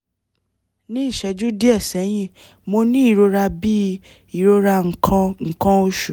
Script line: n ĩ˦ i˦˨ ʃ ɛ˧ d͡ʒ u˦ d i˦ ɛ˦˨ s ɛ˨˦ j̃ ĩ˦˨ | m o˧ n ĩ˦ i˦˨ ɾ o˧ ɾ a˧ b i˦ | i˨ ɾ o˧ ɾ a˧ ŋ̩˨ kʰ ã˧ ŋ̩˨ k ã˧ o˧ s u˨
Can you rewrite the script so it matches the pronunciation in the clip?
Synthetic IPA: n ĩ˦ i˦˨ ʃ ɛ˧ d͡ʒ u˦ d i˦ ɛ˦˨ s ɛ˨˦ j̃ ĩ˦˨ | m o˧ n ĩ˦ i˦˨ ɾ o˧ ɾ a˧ b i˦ | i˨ ɾ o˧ ɾ a˧ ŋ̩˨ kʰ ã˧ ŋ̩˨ k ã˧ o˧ ʃ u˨